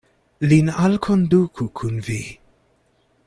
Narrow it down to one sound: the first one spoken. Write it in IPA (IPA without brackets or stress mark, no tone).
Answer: l